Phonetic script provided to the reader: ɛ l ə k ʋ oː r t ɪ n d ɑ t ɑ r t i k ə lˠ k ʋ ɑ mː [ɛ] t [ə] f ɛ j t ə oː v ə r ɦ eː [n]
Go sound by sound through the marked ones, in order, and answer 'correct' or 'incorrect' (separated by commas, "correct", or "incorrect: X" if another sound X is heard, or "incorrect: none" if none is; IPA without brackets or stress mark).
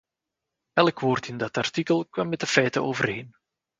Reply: correct, correct, correct